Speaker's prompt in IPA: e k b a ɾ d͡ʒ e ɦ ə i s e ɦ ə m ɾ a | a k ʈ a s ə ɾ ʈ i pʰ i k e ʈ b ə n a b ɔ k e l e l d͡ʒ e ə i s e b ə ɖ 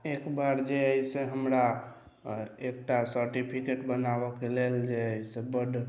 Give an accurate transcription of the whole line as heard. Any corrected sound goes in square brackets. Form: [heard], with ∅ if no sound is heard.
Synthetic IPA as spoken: e k b a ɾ d͡ʒ e [∅] ə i s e ɦ ə m ɾ a | [e] k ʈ a s ə ɾ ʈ i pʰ i k e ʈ b ə n a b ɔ k e l e l d͡ʒ e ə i s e b ə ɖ

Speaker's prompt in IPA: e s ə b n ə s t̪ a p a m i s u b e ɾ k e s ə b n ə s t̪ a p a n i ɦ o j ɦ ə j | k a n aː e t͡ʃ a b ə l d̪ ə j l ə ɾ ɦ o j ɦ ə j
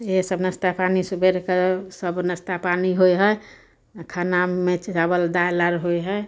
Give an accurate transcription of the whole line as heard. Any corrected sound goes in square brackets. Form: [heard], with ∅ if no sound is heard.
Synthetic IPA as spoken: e s ə b n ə s t̪ a p a [n] i s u b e ɾ k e s ə b n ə s t̪ a p a n i ɦ o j ɦ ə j | [kʰ] a n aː e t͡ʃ a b ə l d̪ [a] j l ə ɾ ɦ o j ɦ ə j

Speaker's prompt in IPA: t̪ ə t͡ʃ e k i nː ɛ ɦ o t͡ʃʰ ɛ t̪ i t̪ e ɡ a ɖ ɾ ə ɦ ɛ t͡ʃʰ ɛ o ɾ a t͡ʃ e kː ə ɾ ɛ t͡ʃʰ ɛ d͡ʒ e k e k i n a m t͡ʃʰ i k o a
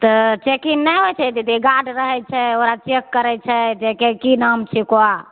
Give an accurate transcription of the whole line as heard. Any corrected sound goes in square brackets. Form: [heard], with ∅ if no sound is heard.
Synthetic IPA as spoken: t̪ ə t͡ʃ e k i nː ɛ ɦ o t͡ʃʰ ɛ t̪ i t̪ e ɡ a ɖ ɾ ə ɦ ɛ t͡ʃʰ ɛ o ɾ a t͡ʃ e kː ə ɾ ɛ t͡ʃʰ ɛ d͡ʒ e k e k i n a m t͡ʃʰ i k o a

